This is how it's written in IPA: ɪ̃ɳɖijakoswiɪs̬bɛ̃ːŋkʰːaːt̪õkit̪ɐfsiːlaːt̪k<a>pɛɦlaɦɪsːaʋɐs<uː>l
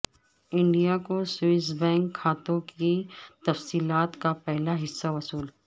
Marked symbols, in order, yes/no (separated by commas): yes, yes